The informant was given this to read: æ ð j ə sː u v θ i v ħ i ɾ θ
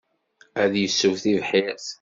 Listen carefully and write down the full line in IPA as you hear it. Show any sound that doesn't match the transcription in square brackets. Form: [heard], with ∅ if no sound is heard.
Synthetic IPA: æ ð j ə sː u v θ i v ħ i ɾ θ